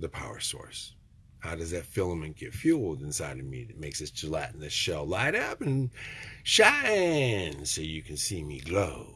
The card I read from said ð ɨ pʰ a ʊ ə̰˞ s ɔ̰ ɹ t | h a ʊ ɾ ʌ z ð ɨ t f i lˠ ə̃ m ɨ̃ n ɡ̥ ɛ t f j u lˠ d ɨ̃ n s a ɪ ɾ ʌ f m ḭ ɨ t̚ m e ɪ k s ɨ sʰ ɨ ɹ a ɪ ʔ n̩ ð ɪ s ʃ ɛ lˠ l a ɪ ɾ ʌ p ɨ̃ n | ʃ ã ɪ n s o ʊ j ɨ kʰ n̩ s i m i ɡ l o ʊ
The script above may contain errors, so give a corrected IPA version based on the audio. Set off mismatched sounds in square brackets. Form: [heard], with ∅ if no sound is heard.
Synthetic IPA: ð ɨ pʰ a ʊ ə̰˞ s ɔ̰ ɹ [s] | h a ʊ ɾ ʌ z ð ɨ t f [ɪ] lˠ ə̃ m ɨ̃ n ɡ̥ ɛ t f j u lˠ d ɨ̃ n s a ɪ ɾ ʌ [v] m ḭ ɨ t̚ m e ɪ k s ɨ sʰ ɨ [l] a ɪ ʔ n̩ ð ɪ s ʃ ɛ lˠ l a ɪ ɾ ʌ p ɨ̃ n | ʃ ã ɪ n s o ʊ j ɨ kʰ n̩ s i m i ɡ l o ʊ